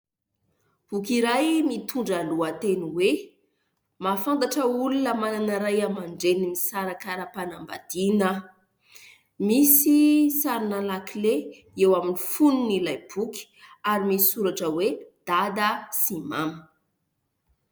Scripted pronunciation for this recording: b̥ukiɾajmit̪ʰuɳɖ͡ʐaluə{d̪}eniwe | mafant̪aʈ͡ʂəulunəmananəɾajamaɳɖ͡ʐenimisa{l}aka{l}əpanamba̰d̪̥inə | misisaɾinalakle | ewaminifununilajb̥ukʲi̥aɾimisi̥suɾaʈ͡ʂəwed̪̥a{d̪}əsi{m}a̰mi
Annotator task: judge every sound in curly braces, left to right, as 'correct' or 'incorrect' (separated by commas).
incorrect, incorrect, incorrect, correct, correct